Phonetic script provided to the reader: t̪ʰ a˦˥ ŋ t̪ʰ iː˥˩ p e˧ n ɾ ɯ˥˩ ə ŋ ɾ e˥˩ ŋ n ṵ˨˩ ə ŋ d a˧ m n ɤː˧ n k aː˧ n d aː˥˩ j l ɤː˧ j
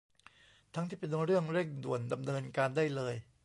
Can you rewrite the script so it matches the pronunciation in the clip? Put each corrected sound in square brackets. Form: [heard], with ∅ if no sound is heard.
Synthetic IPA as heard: t̪ʰ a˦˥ ŋ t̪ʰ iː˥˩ p e˧ n ɾ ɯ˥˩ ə ŋ ɾ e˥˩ ŋ [d] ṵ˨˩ ə [n] d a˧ m n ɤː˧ n k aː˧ n d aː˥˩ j l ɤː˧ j